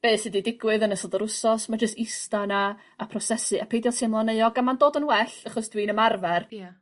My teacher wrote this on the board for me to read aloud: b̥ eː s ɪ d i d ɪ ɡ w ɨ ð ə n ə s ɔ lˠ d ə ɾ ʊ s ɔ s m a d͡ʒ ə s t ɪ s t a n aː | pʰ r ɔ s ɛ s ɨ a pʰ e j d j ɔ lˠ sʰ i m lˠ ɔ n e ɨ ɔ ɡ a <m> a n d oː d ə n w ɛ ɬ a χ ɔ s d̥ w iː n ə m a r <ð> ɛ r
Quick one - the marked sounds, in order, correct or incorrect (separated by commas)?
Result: correct, incorrect